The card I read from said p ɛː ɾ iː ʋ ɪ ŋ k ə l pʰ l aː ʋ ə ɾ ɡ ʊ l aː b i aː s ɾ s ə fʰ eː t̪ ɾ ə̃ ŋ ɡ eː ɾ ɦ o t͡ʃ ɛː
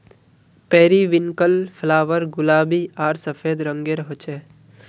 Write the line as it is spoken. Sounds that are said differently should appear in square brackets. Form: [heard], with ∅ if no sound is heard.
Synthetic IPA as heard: p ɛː ɾ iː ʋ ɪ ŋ k ə l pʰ l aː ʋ ə ɾ ɡ ʊ l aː b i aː [∅] ɾ s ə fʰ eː [d̪] ɾ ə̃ ŋ ɡ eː ɾ ɦ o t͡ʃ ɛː